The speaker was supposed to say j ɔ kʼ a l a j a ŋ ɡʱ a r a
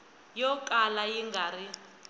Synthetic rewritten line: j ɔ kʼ a l a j i ŋ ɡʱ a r i

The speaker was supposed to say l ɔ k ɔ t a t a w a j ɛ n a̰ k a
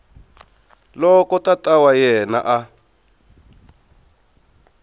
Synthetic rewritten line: l ɔ k ɔ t a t a w a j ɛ n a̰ ʔ a

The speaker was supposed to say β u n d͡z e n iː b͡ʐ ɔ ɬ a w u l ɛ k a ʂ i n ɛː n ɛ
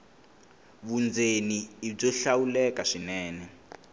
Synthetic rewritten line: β u n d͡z e n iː b͡ʐ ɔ ɬ a w u l ɛ k a ʂ i n ɛː n ɛ

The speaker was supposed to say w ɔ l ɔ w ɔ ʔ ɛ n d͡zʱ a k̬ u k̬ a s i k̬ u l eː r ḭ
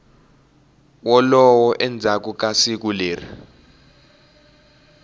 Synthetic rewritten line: w ɔ l ɔ w ɔ ʔ ɛ n d͡zʱ a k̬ u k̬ a s i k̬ u l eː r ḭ

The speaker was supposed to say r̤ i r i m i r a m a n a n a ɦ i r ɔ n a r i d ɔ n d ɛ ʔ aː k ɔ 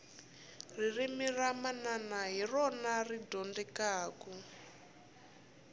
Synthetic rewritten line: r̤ i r i m i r a m a n a n a ɦ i r ɔ n a r i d ɔ n d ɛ k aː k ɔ

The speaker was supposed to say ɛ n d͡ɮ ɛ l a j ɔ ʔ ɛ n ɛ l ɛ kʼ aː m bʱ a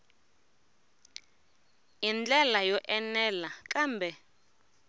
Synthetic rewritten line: i n d͡ɮ ɛ l a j ɔ ʔ ɛ n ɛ l a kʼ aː m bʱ ɛ

